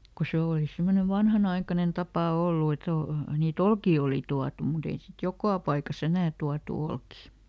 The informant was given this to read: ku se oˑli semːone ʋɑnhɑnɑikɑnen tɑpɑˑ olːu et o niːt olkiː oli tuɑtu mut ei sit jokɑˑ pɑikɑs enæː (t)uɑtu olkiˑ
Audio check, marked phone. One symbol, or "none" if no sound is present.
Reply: t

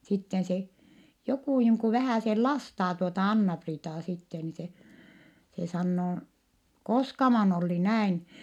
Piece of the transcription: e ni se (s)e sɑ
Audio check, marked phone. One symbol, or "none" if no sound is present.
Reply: s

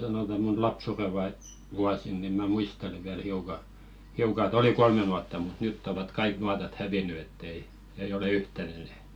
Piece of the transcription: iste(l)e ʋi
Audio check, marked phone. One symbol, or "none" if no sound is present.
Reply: l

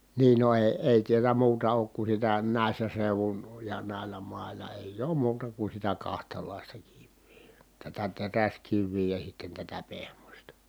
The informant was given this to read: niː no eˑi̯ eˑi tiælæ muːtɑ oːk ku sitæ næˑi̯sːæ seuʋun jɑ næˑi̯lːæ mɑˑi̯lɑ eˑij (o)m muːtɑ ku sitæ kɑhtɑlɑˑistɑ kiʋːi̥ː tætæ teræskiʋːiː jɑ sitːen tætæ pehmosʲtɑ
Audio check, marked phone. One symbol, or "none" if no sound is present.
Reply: oː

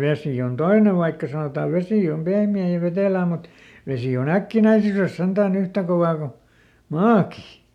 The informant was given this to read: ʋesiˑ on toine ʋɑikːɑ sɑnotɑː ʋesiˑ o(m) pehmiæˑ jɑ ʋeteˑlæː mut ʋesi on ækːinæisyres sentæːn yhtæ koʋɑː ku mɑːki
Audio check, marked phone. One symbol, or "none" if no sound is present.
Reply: m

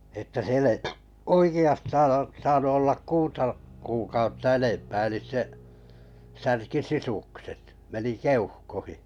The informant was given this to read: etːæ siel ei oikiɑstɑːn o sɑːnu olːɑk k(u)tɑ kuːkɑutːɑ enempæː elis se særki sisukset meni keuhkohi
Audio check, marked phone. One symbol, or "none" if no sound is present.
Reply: uː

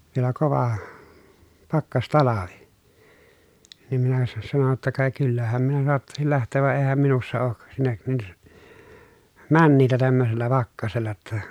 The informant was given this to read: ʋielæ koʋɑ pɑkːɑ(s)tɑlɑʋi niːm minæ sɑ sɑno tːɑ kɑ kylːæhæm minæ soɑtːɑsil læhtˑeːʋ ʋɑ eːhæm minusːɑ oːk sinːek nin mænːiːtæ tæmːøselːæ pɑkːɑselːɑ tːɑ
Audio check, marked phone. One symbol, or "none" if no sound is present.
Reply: s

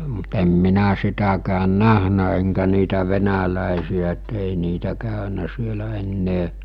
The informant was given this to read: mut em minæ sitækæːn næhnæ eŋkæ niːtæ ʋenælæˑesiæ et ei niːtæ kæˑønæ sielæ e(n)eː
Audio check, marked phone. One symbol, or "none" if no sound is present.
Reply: nː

